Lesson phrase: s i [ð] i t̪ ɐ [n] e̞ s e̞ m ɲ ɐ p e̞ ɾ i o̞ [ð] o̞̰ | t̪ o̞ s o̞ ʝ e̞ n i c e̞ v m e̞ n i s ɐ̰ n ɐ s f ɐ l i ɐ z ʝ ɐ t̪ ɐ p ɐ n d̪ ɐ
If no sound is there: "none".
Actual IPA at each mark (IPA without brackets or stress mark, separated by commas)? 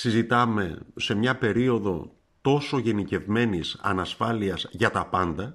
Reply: z, m, ð